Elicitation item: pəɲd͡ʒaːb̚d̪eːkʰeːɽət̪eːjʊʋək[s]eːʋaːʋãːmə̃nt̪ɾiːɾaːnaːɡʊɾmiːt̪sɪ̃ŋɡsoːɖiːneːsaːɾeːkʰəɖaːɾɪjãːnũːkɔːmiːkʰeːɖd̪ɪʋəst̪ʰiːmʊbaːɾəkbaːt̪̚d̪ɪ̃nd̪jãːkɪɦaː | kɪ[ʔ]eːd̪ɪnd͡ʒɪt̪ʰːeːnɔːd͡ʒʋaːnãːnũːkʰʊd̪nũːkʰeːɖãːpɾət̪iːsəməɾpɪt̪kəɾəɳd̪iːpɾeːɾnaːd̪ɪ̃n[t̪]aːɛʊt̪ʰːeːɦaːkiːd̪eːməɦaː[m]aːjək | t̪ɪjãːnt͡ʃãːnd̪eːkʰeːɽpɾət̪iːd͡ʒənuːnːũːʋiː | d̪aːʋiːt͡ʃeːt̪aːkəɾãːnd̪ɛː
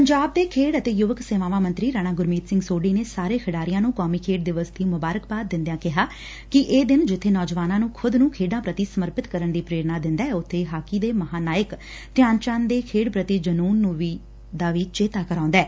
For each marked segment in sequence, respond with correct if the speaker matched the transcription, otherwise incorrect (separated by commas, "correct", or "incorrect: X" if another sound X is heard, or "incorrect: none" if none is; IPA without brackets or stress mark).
correct, correct, incorrect: d̪, incorrect: n